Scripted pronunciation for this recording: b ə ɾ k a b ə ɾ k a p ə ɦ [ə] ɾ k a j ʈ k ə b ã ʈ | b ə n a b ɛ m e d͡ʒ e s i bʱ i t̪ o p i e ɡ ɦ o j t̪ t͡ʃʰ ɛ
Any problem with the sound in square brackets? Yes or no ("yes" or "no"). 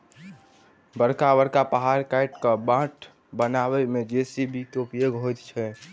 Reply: yes